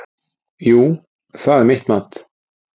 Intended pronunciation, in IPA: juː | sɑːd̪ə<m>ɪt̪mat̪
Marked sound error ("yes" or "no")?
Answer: no